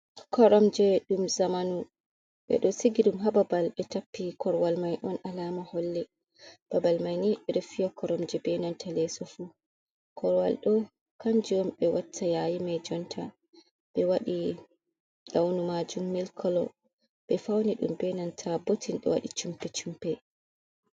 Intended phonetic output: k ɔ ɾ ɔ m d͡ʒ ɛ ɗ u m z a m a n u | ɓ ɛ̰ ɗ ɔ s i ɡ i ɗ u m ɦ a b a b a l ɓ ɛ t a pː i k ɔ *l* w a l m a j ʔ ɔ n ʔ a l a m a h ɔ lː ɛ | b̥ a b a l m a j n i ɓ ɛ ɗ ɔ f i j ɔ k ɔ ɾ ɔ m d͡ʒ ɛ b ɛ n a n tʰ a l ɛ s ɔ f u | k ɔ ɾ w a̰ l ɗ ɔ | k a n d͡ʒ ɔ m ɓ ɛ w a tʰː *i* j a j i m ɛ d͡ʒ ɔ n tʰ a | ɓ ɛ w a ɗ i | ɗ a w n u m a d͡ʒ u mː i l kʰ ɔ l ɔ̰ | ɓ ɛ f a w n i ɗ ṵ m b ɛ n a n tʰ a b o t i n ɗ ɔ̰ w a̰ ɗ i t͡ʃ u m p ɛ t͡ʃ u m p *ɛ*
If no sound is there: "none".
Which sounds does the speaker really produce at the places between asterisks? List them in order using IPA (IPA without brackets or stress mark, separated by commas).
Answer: ɾ, a, ɛ